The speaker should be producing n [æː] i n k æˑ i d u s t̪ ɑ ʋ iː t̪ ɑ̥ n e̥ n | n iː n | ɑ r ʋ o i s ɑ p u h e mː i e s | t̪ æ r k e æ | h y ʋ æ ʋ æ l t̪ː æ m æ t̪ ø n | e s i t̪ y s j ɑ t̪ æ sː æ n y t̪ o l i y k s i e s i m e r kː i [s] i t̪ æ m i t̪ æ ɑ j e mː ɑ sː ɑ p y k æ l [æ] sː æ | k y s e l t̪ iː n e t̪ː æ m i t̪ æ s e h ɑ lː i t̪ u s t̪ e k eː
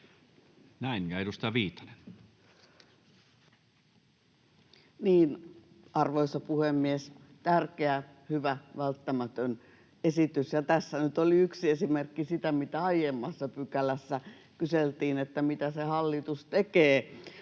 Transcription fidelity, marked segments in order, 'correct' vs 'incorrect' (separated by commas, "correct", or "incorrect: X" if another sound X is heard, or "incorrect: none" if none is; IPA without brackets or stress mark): incorrect: æ, correct, correct